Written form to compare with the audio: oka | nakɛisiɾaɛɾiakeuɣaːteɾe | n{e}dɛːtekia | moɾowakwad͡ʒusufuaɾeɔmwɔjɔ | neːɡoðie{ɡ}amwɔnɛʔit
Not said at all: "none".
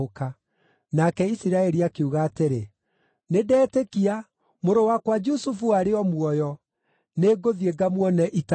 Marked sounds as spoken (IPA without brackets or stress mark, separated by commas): e, ɡ